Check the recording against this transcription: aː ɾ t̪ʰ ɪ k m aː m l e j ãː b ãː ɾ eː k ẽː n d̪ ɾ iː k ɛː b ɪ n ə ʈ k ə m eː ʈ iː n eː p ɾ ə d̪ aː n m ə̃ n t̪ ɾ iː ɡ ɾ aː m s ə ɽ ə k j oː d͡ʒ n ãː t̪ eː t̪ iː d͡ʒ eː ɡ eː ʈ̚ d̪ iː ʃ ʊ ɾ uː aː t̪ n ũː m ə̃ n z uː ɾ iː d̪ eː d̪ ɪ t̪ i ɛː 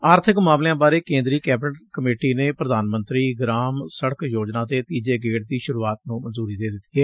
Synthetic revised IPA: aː ɾ t̪ʰ ɪ k m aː m l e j ãː b aː ɾ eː k ẽː n d̪ ɾ iː k ɛː b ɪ n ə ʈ k ə m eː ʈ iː n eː p ɾ ə d̪ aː n m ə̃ n t̪ ɾ iː ɡ ɾ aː m s ə ɽ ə k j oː d͡ʒ n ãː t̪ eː t̪ iː d͡ʒ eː ɡ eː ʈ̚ d̪ iː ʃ ʊ ɾ uː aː t̪ n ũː m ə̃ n z uː ɾ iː d̪ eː d̪ ɪ t̪ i ɛː